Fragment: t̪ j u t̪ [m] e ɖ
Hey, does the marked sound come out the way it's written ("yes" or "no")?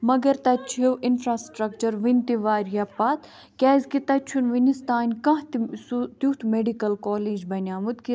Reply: yes